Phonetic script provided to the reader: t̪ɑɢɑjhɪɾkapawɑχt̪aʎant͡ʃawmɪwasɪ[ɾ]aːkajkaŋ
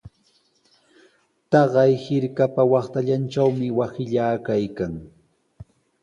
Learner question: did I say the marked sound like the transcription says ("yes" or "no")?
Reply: no